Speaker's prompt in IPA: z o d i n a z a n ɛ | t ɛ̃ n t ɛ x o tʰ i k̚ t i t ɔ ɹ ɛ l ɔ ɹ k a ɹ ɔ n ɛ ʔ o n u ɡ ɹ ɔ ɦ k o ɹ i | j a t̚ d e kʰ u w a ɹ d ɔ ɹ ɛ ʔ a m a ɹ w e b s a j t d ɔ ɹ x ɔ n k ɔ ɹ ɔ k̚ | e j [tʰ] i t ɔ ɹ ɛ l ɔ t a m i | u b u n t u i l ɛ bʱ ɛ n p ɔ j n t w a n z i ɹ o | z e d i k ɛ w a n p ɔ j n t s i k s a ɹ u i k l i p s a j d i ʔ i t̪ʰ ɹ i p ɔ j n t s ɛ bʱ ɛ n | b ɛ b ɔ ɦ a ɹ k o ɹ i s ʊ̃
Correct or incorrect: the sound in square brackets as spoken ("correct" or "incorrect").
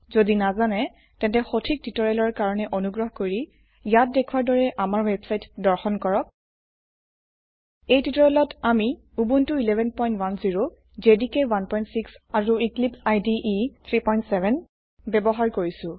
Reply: incorrect